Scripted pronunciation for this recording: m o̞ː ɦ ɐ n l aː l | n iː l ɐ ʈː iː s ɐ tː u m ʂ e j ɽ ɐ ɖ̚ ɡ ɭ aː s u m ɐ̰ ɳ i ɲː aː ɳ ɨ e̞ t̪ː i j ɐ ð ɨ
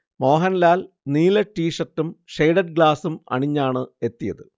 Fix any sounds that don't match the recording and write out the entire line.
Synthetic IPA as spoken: m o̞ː ɦ ɐ n l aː l | n iː l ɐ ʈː iː ʂ ɐ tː u m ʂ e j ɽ ɐ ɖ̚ ɡ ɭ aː s u m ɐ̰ ɳ i ɲː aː ɳ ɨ e̞ t̪ː i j ɐ ð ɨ